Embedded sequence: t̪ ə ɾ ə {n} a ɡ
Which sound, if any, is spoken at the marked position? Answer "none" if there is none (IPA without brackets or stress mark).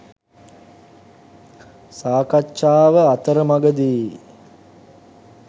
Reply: m